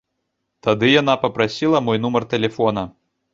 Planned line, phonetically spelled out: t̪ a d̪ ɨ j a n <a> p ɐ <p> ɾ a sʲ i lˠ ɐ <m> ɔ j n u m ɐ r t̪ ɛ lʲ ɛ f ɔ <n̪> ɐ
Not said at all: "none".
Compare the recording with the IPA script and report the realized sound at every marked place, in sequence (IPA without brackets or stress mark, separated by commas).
a, p, m, n̪